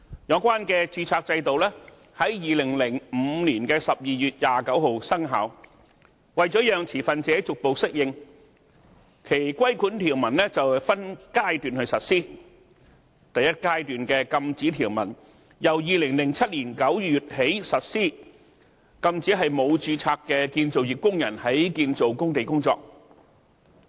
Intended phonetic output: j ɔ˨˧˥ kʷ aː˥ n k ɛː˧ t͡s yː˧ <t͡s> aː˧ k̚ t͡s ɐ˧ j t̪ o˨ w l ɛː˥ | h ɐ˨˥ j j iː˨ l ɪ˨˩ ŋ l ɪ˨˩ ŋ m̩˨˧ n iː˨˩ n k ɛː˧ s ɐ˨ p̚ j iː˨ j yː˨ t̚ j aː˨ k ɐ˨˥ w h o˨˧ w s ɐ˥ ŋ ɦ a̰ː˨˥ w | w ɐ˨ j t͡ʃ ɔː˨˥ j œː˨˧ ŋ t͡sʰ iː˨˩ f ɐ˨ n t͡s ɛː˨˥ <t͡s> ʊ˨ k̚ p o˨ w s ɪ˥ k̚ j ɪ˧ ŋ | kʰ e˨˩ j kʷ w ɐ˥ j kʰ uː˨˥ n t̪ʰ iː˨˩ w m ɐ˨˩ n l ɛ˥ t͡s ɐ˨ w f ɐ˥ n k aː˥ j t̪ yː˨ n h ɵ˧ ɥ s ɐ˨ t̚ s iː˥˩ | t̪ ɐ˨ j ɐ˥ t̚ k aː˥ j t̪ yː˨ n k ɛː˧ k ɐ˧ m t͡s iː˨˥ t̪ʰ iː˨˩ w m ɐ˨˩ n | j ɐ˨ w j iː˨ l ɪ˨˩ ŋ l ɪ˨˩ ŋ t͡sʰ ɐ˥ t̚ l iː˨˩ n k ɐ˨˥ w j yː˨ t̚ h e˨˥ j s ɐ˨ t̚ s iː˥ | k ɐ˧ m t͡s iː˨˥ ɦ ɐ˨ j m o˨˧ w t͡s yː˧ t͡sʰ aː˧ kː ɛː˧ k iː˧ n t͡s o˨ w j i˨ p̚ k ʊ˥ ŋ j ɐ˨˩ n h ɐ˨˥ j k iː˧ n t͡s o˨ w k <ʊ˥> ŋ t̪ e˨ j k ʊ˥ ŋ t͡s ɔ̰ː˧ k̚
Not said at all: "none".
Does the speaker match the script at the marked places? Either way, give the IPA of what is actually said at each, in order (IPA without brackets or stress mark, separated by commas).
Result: t͡sʰ, t͡s, ʊ˥